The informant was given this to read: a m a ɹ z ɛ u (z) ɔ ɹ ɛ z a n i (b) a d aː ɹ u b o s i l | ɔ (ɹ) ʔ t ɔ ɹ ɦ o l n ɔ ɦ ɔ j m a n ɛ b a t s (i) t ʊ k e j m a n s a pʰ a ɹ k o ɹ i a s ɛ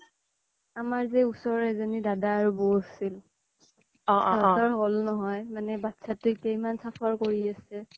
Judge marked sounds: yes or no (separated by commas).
no, no, no, no